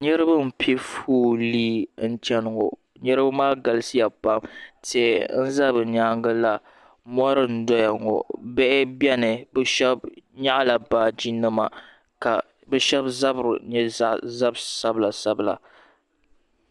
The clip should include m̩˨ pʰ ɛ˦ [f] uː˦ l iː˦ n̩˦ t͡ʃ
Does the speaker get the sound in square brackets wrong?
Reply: no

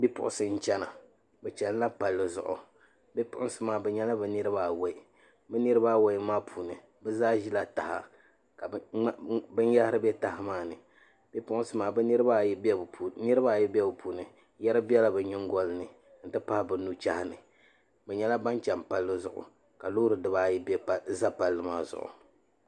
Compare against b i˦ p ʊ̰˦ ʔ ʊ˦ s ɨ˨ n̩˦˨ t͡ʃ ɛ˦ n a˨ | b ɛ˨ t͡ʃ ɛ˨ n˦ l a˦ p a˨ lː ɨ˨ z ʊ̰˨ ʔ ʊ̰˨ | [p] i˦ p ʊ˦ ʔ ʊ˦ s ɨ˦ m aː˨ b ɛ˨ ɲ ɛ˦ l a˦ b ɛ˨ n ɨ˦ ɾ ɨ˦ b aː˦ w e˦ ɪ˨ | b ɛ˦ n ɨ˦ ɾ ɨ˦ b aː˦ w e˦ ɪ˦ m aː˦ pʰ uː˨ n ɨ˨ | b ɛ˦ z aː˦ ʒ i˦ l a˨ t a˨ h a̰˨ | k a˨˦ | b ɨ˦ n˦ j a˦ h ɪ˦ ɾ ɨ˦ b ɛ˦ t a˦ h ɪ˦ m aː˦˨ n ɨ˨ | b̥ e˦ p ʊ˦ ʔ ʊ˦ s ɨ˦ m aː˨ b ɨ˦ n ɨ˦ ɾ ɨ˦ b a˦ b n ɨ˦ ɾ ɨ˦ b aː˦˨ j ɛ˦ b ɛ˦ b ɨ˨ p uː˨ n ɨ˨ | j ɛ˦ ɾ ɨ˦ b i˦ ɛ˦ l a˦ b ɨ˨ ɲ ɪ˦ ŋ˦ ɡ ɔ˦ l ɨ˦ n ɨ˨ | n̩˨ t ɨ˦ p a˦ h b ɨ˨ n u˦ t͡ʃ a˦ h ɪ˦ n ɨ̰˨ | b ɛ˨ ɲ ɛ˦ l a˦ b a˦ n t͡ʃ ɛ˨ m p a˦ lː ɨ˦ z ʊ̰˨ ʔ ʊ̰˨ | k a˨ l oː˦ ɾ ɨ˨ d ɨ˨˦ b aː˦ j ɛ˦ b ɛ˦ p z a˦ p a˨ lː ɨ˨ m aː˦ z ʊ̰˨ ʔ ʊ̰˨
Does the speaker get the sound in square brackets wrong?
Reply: yes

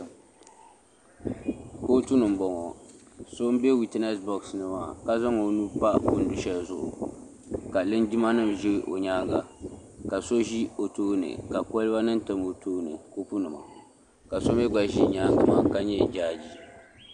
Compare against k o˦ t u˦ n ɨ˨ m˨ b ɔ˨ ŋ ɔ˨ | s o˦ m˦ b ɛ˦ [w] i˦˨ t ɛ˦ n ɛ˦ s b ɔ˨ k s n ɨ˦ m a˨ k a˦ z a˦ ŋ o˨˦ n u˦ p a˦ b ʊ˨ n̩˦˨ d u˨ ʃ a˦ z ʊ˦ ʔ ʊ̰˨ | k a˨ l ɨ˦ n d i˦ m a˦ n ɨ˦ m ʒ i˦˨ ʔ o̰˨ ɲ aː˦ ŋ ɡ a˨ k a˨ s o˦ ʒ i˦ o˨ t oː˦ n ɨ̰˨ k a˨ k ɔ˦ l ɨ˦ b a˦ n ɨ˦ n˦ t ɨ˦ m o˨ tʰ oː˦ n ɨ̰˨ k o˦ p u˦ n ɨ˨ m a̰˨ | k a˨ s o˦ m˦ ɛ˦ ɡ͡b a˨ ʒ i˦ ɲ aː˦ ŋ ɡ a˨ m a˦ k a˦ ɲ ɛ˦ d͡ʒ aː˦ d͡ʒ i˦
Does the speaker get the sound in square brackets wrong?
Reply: no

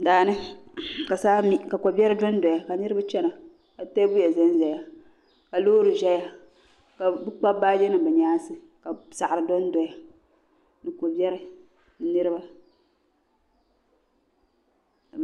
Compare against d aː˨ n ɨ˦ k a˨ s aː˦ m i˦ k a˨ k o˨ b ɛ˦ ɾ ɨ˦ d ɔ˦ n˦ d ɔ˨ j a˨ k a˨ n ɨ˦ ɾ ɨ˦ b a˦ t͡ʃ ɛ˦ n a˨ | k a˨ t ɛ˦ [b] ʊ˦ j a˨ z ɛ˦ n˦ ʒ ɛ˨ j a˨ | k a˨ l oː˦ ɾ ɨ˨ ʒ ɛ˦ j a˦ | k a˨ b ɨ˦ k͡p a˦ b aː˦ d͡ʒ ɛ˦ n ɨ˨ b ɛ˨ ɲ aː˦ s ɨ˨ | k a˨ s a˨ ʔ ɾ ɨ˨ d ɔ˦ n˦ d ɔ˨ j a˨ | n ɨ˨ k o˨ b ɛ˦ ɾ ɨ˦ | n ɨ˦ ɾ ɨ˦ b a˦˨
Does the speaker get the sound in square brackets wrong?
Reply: no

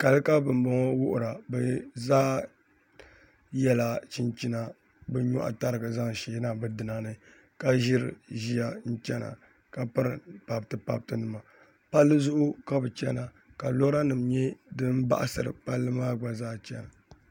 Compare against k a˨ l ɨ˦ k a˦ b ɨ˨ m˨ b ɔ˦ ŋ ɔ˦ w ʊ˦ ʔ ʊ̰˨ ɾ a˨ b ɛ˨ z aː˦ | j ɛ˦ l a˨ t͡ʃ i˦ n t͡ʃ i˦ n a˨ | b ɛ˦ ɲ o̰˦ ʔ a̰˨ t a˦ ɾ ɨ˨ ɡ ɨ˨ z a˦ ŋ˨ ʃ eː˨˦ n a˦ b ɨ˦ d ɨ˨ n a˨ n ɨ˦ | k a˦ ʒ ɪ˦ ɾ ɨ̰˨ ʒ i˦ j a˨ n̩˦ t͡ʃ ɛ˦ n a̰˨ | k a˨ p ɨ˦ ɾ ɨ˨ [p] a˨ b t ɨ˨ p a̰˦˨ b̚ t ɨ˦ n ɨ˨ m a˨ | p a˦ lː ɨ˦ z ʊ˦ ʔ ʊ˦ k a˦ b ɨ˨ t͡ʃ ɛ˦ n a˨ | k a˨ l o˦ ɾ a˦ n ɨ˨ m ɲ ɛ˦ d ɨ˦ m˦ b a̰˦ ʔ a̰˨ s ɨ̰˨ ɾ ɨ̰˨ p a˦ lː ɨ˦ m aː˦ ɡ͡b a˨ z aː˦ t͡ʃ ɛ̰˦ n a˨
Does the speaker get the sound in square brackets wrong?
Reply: no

